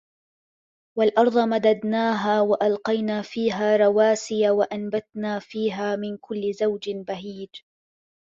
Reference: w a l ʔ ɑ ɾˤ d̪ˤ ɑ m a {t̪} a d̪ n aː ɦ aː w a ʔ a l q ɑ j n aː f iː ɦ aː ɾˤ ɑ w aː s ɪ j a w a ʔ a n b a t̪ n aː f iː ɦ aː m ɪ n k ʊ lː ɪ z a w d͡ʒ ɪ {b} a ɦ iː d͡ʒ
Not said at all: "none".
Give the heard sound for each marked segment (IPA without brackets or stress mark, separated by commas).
d̪, b